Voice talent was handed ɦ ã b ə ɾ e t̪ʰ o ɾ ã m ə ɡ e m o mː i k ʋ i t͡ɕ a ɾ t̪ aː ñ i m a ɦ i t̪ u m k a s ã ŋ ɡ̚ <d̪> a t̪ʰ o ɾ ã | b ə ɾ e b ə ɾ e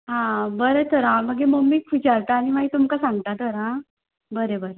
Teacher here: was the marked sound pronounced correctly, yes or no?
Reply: no